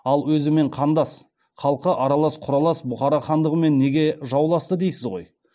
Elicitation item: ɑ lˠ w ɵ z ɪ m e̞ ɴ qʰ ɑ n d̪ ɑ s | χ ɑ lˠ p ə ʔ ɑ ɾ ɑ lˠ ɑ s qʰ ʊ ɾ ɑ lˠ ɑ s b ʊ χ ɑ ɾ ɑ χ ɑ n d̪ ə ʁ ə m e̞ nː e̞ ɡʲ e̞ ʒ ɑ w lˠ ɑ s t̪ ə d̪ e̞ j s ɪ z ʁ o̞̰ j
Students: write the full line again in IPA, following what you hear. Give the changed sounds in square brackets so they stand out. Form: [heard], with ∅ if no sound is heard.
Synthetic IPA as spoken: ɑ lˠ w ɵ z ɪ m e̞ ɴ qʰ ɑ n d̪ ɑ s | χ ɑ lˠ [q] ə ʔ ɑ ɾ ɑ lˠ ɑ s qʰ ʊ ɾ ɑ lˠ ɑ s b ʊ χ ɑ ɾ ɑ χ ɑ n d̪ ə ʁ ə m e̞ nː e̞ ɡʲ e̞ ʒ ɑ w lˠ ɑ s t̪ ə d̪ e̞ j s ɪ z ʁ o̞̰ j